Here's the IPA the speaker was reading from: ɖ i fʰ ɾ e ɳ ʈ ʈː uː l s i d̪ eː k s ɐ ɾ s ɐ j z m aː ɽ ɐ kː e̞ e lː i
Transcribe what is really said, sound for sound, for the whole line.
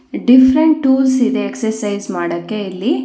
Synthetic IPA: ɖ i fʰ ɾ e ɳ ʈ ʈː uː l s i d̪ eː k s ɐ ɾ s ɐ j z m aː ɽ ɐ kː e̞ i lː i